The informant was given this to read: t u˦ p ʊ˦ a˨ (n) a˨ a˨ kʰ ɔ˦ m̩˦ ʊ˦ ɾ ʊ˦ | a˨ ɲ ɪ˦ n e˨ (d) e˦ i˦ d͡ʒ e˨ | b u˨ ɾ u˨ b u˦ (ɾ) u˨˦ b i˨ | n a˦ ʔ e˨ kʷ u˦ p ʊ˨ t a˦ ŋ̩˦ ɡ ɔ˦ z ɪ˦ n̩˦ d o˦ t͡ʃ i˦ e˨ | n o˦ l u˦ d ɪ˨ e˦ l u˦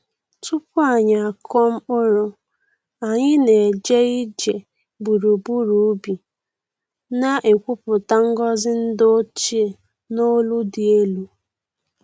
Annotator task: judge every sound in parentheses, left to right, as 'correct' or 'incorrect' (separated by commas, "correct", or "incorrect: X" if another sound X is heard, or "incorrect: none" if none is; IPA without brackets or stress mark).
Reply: incorrect: ɲ, incorrect: d͡ʒ, correct